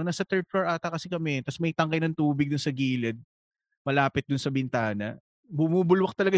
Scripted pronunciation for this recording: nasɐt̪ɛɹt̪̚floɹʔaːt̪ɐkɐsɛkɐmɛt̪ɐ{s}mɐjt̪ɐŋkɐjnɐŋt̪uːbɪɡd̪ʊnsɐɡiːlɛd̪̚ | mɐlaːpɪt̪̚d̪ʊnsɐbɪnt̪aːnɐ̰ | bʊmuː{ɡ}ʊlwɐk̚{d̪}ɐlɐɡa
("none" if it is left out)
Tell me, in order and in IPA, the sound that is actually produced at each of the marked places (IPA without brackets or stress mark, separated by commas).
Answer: s, b, t̪